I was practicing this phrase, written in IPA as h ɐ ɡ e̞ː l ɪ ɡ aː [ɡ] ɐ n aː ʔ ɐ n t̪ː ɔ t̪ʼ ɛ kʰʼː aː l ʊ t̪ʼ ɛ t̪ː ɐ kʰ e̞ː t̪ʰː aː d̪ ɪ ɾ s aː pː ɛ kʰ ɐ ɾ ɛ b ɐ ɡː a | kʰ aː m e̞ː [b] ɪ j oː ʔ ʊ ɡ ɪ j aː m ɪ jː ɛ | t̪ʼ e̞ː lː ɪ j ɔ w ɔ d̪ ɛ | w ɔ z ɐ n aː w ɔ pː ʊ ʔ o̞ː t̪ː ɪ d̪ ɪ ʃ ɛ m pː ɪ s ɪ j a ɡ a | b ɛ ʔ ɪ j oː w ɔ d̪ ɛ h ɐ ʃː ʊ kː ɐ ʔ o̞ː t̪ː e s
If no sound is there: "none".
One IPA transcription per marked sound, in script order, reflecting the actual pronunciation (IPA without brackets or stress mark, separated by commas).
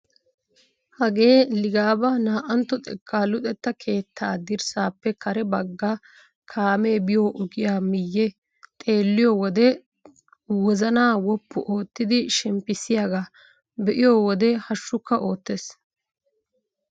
b, b